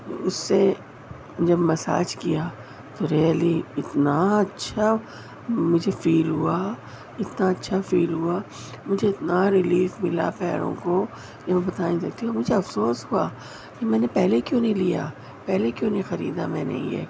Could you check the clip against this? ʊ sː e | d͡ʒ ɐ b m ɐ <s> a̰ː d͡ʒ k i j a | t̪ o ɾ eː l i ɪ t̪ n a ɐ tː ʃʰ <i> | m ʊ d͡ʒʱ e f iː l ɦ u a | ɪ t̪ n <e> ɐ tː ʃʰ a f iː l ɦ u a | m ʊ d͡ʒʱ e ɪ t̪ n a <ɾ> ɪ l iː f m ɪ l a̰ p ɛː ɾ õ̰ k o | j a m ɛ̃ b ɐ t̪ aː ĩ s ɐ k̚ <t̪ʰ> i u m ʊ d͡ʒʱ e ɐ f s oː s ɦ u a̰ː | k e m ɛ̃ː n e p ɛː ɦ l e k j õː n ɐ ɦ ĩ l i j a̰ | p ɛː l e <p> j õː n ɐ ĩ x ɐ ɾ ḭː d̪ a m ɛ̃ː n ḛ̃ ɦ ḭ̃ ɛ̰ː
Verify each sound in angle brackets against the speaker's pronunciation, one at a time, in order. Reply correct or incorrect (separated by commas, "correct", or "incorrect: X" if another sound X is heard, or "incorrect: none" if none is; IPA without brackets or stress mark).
correct, incorrect: a, incorrect: a, correct, incorrect: t̪, incorrect: k